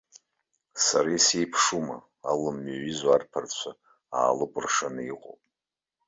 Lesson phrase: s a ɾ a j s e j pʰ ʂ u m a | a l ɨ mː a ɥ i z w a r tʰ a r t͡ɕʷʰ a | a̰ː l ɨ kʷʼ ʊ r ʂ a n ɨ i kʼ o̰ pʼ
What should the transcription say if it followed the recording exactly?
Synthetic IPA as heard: s a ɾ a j s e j pʰ ʂ u m a | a l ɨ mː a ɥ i z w a r pʰ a r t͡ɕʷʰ a | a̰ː l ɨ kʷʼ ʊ r ʂ a n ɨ i qʼ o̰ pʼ